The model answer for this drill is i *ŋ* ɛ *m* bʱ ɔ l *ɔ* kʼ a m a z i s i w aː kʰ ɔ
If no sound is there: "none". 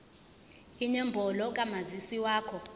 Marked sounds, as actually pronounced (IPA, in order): ɲ, m, ɔ

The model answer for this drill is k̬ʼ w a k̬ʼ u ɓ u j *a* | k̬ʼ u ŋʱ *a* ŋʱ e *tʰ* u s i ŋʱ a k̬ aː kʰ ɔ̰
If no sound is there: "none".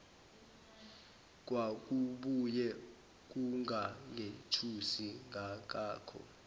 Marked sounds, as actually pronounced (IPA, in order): ɛ, a, tʰ

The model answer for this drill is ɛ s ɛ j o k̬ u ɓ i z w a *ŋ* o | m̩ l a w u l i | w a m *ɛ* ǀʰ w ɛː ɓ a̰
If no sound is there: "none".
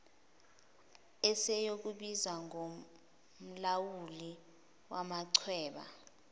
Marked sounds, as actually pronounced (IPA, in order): ŋ, a

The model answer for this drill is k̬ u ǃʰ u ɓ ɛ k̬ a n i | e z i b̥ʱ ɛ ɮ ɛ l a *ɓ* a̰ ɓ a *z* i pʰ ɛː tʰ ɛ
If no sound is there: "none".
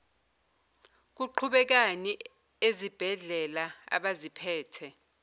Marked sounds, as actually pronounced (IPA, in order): none, z

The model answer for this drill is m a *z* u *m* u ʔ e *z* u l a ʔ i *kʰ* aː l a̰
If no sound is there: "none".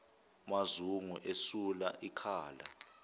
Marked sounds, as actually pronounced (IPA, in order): z, ŋ, s, kʰ

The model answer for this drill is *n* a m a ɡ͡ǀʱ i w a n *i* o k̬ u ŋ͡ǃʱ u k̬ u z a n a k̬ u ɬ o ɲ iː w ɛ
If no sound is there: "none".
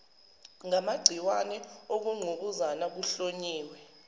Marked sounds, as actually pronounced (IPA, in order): ŋ, ɛ

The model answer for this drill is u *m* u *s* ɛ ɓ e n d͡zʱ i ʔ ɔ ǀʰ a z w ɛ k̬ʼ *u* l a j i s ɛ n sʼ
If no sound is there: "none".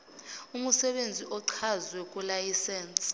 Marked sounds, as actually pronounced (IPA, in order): m, s, u

